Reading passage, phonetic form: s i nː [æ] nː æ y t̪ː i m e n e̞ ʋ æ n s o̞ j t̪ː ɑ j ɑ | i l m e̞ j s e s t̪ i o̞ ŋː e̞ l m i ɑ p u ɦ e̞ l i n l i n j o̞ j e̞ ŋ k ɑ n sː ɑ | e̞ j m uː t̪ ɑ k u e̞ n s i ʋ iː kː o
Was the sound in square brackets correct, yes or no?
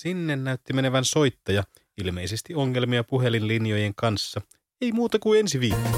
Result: no